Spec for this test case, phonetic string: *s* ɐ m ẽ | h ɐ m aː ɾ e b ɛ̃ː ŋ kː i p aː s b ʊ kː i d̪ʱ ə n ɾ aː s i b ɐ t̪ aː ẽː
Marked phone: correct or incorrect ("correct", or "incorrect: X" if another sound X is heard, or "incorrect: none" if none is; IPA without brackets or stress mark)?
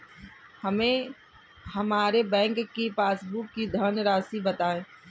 incorrect: h